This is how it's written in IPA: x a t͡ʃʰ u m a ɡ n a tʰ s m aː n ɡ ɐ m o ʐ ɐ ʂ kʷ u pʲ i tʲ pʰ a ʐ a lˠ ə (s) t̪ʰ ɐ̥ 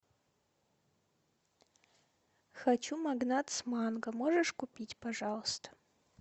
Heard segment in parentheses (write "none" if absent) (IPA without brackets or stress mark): s